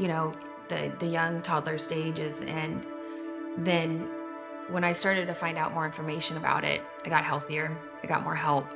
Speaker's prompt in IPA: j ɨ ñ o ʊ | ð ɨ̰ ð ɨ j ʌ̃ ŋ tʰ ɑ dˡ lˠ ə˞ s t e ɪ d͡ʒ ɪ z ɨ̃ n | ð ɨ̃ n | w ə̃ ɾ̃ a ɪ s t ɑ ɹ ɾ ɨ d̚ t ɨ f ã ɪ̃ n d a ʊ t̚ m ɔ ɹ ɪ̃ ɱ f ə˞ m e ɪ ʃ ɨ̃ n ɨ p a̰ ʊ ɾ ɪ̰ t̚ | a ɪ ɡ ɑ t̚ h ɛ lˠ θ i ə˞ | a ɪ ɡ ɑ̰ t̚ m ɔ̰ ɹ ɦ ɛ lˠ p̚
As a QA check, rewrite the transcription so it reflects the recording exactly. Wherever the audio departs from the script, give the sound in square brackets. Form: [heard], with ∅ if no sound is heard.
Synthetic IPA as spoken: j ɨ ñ o ʊ | ð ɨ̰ ð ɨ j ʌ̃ ŋ tʰ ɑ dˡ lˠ ə˞ s t e ɪ d͡ʒ ɪ z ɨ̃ n | ð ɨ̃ n | w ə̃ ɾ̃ a ɪ s t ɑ ɹ ɾ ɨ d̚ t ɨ f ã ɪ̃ n d a ʊ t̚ m ɔ ɹ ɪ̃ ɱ f ə˞ m e ɪ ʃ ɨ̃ n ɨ [b] a̰ ʊ ɾ ɪ̰ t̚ | a ɪ ɡ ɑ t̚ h ɛ lˠ θ i ə˞ | a ɪ ɡ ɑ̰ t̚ m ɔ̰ ɹ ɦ ɛ lˠ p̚